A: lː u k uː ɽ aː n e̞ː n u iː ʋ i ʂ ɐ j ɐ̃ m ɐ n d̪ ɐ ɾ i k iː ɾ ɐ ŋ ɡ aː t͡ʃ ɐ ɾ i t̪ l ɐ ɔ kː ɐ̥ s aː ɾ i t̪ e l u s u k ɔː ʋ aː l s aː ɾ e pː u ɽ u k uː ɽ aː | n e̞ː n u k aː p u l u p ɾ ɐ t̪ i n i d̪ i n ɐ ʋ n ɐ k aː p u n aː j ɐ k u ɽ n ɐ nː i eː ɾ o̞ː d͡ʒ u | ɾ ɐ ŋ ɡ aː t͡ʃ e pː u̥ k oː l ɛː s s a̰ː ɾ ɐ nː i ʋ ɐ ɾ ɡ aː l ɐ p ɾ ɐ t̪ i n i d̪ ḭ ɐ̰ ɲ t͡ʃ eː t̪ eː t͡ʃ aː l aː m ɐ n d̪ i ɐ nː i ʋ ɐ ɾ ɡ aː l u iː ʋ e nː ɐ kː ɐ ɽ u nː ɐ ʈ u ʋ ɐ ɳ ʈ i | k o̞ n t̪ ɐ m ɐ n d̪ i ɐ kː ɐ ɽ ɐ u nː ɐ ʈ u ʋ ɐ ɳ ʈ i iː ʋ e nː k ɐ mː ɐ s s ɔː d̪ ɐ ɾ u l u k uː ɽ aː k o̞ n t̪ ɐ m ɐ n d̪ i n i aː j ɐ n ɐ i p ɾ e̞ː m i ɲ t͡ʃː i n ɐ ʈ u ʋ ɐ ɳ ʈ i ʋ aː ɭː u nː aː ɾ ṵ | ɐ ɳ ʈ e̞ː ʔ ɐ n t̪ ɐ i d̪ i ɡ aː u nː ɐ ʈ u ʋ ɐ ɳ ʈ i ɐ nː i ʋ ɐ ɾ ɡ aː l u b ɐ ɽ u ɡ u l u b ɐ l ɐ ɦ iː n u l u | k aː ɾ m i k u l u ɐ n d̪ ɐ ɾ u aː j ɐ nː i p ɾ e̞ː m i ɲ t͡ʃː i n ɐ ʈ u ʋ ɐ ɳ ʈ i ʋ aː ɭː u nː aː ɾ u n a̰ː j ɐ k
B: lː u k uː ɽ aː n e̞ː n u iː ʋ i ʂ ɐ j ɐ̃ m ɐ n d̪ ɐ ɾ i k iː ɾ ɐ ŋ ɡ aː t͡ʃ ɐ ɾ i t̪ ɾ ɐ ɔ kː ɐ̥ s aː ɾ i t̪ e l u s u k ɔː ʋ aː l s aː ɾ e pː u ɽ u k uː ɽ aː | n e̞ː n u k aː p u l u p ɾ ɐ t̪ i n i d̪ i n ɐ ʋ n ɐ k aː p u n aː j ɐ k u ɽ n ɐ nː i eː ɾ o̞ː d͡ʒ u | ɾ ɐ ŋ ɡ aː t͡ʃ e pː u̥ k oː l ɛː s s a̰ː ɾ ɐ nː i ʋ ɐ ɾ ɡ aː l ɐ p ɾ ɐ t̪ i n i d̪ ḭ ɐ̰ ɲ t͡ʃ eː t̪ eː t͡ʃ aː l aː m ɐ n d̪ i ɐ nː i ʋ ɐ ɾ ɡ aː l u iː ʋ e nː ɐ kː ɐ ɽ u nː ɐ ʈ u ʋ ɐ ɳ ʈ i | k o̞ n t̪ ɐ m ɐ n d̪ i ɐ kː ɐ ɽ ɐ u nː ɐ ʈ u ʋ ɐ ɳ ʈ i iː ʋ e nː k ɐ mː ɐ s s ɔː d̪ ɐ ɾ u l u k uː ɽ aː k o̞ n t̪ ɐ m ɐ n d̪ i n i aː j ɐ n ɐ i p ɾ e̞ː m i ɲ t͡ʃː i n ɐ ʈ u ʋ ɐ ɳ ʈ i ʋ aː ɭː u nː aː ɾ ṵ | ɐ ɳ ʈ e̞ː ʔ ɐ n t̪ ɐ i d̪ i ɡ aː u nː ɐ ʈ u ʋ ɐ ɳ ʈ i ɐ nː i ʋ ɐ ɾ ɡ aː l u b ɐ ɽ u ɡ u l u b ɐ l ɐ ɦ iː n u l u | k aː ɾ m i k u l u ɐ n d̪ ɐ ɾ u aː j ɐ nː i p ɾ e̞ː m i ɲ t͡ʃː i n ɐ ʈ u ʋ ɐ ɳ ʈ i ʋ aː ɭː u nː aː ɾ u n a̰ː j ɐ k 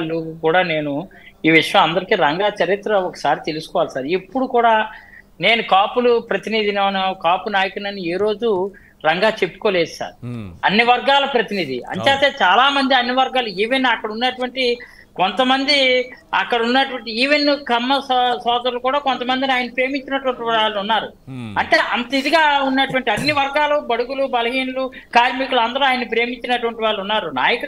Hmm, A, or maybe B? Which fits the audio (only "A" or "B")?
B